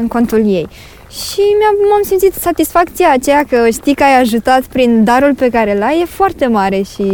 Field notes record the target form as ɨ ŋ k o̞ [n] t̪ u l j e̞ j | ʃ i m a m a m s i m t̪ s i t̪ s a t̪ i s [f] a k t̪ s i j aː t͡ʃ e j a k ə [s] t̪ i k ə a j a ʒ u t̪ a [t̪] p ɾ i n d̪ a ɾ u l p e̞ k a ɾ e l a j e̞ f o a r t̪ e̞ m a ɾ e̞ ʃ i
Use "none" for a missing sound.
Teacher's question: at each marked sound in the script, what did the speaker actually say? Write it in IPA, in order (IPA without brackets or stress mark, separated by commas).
n, f, ʃ, t̪